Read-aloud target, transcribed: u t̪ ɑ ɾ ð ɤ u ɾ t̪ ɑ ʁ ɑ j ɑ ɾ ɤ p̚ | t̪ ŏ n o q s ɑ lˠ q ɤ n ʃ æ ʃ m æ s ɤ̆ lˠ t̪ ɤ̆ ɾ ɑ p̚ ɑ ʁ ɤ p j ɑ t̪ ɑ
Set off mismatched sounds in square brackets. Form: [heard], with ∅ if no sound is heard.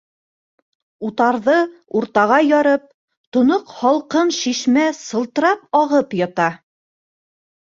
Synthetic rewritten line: u t̪ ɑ ɾ ð ɤ u ɾ t̪ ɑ ʁ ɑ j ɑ ɾ ɤ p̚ | t̪ ŏ n o q [h] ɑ lˠ q ɤ n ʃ [i] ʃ m æ s ɤ̆ lˠ t̪ ɤ̆ ɾ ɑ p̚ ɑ ʁ ɤ p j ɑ t̪ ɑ